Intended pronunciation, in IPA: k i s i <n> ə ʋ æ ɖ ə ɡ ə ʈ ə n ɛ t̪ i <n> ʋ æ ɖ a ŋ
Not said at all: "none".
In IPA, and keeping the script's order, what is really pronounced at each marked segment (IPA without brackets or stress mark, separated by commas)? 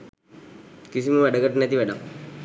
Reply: m, none